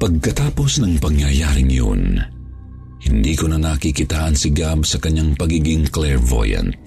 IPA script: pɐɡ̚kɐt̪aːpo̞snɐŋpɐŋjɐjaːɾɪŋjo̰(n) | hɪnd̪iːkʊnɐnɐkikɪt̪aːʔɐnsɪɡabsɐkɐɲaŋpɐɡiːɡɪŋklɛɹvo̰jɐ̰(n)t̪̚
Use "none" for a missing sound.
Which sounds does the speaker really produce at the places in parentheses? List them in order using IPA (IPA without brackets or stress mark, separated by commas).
n, n